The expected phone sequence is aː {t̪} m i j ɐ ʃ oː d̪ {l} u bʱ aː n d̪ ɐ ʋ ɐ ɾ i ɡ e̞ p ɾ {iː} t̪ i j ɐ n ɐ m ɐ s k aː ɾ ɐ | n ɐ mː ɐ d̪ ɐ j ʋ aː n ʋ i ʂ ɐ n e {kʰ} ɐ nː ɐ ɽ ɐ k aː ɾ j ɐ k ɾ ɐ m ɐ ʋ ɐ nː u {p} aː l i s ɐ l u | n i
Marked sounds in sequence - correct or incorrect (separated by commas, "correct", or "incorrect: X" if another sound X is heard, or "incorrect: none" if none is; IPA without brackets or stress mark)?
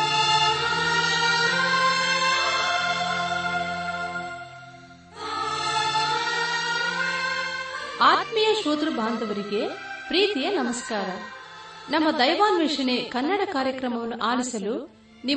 correct, incorrect: ɾ, correct, incorrect: k, incorrect: ʔ